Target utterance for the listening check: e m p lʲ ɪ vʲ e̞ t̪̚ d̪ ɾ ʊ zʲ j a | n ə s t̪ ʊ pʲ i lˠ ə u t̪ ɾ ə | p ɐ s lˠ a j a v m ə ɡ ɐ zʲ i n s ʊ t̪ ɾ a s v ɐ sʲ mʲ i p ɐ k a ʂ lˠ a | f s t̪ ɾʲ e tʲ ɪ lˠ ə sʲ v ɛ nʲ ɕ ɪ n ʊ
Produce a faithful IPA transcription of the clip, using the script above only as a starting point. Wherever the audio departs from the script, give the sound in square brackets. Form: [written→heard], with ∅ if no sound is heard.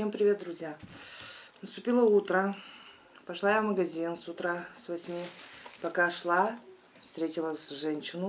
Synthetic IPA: e m p [lʲ→ɾʲ] ɪ vʲ e̞ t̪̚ d̪ ɾ ʊ zʲ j a | n ə s t̪ ʊ pʲ i lˠ ə u t̪ ɾ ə | p ɐ [s→ʂ] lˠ a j a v m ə ɡ ɐ zʲ i n s ʊ t̪ ɾ a s v ɐ sʲ mʲ i p ɐ k a ʂ lˠ a | f s t̪ ɾʲ e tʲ ɪ lˠ ə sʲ [v→ʐ] ɛ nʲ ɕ ɪ n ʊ